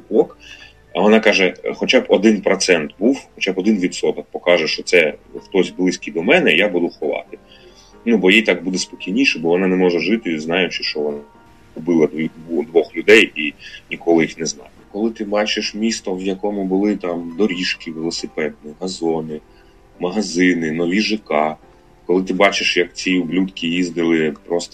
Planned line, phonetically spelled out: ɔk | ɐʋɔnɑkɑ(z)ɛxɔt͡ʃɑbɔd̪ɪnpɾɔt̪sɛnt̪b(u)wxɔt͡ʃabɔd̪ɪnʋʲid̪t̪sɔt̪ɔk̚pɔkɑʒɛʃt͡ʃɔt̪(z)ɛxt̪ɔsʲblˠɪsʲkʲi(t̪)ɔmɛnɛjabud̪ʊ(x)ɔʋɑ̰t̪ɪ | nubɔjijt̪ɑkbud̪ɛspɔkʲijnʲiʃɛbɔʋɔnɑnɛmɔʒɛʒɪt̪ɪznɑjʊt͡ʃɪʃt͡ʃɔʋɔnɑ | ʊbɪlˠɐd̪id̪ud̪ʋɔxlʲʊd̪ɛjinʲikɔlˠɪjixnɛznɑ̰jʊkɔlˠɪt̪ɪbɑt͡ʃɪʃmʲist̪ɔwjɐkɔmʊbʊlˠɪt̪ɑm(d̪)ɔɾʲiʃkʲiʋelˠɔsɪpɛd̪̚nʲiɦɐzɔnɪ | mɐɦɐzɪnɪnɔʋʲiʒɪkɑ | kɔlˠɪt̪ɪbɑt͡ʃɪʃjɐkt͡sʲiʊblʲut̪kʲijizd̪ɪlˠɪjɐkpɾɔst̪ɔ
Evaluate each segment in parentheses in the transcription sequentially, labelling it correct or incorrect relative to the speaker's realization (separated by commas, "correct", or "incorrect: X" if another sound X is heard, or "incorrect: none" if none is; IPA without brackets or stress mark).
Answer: incorrect: ʒ, correct, incorrect: s, incorrect: d̪, correct, correct